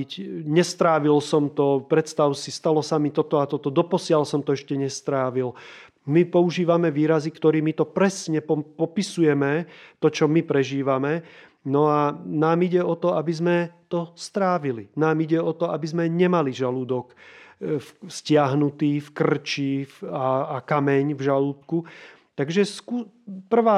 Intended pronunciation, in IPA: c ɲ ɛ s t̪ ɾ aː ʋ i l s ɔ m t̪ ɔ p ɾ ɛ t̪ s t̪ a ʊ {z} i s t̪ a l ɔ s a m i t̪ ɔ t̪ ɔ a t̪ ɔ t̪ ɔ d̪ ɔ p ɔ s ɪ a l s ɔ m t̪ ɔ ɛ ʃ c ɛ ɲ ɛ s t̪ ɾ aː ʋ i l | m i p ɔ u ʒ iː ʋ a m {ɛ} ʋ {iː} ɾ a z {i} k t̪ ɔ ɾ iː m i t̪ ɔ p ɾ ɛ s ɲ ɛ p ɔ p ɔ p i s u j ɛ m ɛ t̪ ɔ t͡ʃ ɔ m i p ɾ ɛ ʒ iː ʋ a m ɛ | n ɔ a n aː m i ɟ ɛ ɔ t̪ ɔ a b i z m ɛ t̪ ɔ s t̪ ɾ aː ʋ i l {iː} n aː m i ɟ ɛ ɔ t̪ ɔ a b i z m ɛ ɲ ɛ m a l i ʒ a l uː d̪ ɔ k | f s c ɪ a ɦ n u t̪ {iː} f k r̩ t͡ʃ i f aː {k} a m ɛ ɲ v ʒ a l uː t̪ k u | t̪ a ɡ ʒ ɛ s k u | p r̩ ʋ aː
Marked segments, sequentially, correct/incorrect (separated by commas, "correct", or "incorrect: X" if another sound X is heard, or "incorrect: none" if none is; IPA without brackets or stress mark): incorrect: s, correct, correct, correct, incorrect: i, correct, correct